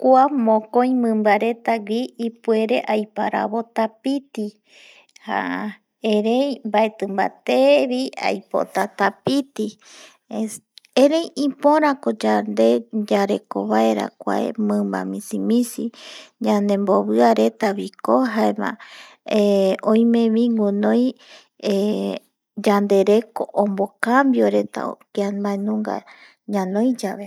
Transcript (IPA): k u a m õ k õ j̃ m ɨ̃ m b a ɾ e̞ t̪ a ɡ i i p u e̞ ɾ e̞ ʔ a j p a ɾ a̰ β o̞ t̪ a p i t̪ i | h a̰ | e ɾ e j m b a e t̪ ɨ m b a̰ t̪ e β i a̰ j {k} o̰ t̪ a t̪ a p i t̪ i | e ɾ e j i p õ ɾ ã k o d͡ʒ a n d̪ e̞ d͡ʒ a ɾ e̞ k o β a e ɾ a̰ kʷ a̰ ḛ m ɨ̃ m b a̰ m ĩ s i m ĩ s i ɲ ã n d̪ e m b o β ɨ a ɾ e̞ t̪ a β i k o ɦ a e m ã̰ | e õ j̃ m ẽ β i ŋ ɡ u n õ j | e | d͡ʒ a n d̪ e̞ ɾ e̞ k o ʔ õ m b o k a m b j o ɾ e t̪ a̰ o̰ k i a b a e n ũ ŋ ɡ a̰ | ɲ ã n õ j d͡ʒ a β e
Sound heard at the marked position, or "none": p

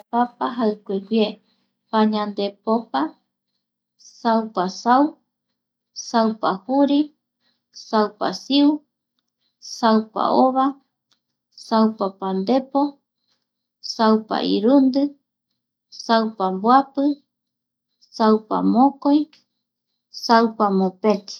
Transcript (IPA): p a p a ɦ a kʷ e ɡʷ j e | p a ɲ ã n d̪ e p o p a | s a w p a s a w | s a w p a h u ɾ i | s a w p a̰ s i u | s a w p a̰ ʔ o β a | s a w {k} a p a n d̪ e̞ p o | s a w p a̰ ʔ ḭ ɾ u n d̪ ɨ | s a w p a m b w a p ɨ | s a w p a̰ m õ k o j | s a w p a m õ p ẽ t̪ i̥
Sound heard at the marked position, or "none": p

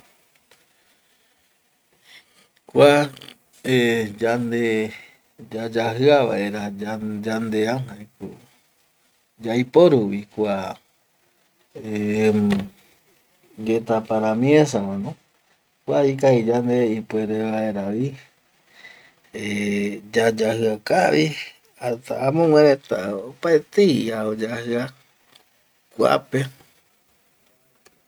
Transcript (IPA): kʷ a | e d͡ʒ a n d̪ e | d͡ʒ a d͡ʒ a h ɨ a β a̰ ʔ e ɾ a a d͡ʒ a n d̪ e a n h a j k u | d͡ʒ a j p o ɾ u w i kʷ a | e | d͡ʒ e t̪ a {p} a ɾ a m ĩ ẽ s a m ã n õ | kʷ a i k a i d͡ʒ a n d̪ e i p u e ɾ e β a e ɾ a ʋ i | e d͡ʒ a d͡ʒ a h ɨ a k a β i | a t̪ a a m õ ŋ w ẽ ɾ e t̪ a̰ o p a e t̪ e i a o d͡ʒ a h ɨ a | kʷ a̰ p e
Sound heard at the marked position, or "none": p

